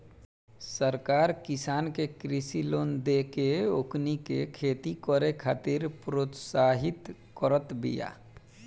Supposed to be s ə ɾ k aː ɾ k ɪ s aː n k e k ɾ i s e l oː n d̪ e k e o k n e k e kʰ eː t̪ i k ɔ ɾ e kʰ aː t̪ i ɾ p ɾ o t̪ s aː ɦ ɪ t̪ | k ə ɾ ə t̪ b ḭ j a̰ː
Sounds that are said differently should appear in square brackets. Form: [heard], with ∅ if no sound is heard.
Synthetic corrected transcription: s ə ɾ k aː ɾ k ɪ s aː n k e k ɾ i s [i] l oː n d̪ e k e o k n [i] k e kʰ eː t̪ i k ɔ ɾ e kʰ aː t̪ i ɾ p ɾ o t̪ s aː ɦ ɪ t̪ | k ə ɾ ə t̪ b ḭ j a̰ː